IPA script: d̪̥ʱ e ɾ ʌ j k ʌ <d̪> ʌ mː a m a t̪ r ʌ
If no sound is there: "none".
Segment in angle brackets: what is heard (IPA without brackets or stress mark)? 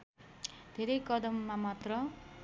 d̪